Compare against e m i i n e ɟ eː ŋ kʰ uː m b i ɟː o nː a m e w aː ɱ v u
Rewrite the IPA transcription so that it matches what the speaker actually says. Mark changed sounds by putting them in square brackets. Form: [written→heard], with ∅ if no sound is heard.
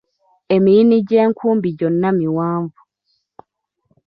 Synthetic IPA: e m i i n [e→i] ɟ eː ŋ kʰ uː m b i [ɟː→ɟ] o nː a m [e→i] w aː ɱ v u